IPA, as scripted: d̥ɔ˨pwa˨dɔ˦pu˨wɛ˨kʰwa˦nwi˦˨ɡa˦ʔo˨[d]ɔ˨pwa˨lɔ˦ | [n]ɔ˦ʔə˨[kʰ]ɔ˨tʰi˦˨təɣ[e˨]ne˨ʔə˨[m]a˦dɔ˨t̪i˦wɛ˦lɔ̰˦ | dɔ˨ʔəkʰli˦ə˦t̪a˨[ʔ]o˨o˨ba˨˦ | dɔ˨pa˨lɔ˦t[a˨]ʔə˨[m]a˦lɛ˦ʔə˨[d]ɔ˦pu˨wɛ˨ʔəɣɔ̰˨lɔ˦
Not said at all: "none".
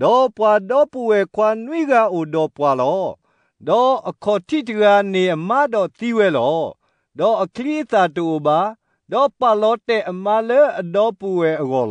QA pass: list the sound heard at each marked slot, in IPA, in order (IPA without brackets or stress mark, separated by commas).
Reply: d, d, kʰ, a˨, m, t, ɛ˨, m, d